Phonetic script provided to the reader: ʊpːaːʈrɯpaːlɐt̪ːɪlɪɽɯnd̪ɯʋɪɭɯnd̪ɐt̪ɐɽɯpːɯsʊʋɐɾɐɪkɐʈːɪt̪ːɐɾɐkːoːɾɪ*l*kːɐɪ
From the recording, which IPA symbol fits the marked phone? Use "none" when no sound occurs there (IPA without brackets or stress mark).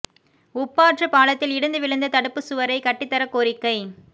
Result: none